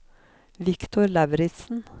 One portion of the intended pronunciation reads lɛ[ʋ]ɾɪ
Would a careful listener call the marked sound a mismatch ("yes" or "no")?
no